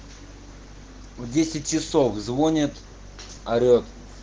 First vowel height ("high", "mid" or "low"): mid